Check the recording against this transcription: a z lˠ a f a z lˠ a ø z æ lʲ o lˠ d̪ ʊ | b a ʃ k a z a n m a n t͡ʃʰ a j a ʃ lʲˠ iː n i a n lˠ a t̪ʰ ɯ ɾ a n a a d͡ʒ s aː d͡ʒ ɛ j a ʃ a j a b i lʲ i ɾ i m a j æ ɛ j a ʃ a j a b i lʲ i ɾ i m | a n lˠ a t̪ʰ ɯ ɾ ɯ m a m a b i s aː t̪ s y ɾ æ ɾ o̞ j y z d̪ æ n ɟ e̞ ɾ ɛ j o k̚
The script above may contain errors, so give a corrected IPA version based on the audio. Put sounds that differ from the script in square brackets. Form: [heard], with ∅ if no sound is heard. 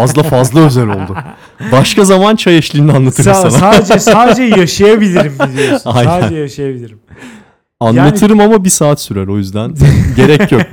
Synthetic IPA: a z lˠ a f a z lˠ a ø z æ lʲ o lˠ d̪ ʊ | b a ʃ k a z a [∅] m a n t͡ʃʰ a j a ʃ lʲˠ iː n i a n lˠ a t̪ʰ ɯ ɾ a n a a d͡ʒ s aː d͡ʒ ɛ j a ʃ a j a b i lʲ i ɾ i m a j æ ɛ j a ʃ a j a b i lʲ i ɾ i m | a n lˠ a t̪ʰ ɯ ɾ ɯ m a m a b i s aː t̪ s y ɾ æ ɾ o̞ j y z d̪ æ n ɟ e̞ ɾ ɛ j o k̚